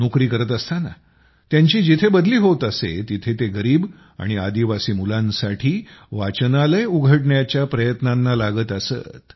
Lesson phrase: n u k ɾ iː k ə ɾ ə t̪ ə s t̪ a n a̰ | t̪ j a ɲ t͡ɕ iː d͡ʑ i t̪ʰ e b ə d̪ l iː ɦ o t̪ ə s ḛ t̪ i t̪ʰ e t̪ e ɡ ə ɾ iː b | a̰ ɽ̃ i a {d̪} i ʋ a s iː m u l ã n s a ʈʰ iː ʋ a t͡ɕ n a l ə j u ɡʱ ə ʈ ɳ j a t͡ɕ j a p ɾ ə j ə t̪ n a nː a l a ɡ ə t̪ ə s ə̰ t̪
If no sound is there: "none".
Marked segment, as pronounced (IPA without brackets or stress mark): d̪